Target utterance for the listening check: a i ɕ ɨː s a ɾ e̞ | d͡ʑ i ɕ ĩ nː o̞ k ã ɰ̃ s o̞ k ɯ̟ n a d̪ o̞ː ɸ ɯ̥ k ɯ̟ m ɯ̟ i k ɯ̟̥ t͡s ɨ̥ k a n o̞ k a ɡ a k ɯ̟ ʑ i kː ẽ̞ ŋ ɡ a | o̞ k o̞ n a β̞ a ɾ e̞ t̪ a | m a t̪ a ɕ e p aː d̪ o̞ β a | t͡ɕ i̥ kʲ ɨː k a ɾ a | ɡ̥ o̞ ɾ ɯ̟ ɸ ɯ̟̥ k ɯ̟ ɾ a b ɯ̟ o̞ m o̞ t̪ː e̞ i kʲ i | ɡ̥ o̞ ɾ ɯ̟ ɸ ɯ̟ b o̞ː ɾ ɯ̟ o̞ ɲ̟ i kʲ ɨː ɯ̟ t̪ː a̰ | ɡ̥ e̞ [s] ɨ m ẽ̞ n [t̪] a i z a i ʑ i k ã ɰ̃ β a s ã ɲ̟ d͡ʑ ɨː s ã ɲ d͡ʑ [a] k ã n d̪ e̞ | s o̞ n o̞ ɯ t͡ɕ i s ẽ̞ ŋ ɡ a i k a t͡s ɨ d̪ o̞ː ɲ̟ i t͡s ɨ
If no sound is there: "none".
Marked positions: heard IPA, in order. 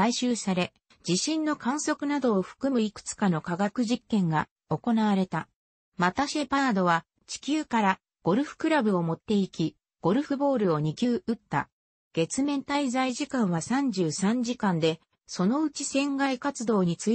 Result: t͡s, t̪, i

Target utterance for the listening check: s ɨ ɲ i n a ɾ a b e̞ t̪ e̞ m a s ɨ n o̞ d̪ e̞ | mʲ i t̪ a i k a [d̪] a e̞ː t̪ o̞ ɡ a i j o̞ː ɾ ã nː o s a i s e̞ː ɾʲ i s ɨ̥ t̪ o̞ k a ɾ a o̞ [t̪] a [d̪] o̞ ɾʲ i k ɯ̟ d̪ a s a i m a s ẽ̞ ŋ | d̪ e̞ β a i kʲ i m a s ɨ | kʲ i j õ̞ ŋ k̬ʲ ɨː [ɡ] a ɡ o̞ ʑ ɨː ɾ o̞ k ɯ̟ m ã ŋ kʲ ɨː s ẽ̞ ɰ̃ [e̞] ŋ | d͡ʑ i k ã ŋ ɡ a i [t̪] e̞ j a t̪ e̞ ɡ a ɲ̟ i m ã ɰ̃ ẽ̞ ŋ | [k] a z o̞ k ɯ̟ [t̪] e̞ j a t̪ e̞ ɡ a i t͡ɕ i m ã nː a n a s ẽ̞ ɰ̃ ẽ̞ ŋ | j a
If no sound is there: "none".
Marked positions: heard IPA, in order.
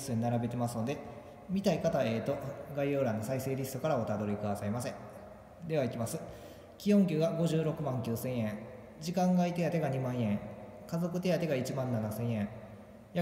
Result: t̪, t̪, d̪, ɡ, ẽ̞, t̪, k, t̪

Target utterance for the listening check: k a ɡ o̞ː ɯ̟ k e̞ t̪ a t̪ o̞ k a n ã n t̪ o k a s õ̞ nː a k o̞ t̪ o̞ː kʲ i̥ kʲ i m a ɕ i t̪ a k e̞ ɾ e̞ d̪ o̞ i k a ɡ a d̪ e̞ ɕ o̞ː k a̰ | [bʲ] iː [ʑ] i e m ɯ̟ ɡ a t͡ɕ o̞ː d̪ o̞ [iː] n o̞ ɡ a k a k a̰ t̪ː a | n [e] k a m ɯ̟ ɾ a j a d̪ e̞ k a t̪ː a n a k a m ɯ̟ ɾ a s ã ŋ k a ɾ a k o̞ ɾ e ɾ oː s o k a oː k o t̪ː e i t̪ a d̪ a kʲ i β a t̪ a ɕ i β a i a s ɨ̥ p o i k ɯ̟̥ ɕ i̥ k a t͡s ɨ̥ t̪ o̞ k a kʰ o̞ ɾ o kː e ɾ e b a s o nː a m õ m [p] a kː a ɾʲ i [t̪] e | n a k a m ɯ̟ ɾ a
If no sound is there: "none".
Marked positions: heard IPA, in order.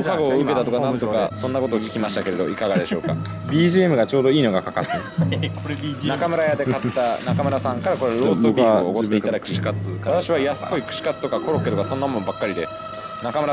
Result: bʲ, ʑ, iː, a, b, d̪

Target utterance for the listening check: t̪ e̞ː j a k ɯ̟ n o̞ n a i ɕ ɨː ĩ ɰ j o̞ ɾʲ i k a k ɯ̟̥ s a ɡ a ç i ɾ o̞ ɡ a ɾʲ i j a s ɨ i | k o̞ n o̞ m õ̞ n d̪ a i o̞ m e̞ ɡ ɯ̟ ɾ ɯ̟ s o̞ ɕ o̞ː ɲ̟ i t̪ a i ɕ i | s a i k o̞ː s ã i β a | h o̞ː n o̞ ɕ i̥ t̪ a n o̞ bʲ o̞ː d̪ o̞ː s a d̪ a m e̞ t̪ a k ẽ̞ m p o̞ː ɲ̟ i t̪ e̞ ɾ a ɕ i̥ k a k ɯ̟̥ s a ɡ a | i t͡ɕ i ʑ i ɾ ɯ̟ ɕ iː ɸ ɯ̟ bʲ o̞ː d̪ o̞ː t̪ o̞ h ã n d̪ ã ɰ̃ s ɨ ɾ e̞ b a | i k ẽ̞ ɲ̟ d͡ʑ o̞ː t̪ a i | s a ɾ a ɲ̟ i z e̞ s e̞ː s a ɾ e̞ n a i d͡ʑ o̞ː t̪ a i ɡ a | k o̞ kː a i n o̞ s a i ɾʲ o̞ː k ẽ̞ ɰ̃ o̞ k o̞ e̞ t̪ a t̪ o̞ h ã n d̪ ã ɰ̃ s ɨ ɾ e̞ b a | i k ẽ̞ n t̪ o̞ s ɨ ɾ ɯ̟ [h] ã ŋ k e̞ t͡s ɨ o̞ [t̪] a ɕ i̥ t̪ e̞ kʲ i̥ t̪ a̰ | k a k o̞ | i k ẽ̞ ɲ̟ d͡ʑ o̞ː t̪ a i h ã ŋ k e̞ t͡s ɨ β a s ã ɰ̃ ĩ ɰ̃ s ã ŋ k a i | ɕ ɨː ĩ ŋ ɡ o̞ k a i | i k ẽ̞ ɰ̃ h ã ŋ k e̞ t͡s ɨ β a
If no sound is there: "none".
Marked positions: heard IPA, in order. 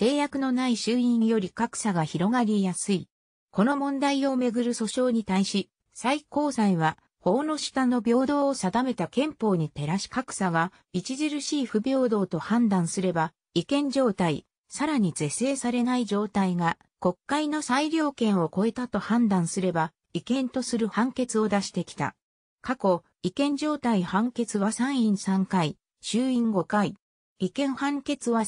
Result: h, d̪

